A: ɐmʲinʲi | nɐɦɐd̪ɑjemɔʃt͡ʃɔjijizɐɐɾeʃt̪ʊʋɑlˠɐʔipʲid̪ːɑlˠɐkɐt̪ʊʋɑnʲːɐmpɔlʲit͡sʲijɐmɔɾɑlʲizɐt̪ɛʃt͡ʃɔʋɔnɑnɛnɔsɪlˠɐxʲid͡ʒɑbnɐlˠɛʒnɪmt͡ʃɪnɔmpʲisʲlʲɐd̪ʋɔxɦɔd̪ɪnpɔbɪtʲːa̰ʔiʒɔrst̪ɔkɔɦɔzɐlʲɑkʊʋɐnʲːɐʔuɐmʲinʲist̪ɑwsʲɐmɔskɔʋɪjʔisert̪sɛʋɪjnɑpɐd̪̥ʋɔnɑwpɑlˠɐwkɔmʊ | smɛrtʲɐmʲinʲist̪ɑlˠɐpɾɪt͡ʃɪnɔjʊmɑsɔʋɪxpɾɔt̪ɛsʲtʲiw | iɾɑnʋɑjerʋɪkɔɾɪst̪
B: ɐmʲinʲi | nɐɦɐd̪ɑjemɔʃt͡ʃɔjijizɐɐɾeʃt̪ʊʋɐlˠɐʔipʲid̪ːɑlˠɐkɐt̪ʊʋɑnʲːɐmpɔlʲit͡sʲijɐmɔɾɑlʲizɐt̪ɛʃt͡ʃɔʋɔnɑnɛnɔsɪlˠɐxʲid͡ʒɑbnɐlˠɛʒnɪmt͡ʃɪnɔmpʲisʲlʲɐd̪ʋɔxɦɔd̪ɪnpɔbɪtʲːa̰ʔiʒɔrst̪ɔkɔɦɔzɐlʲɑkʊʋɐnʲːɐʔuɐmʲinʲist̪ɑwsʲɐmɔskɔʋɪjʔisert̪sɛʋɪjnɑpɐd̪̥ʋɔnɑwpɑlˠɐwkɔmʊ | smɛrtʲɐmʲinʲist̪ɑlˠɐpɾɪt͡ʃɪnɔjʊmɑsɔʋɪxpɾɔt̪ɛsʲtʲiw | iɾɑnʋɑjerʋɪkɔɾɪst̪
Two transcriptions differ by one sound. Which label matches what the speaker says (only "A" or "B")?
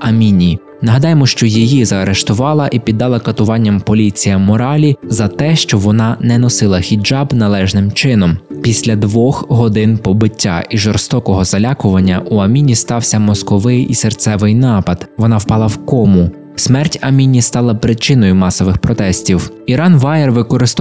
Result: A